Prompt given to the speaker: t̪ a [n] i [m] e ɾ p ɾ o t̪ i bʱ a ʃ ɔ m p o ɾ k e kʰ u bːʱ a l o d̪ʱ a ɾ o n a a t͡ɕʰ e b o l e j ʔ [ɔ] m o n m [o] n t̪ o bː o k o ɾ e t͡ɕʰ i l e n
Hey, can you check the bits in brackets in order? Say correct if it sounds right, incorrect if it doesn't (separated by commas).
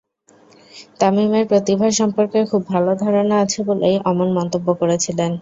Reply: incorrect, correct, correct, incorrect